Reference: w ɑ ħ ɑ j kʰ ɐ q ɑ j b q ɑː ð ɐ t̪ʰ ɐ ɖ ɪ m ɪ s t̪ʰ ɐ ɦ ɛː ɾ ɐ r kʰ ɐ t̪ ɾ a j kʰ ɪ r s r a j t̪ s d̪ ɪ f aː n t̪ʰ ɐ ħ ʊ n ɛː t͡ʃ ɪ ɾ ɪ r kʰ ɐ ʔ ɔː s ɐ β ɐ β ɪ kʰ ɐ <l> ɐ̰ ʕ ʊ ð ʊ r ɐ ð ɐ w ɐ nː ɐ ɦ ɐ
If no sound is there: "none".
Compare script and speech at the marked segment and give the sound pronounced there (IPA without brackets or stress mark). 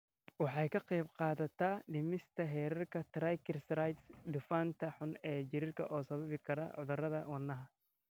ɾ